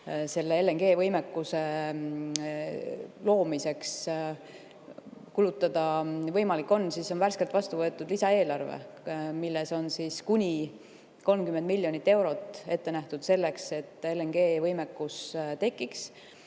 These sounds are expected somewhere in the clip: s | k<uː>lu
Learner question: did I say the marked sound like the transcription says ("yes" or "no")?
no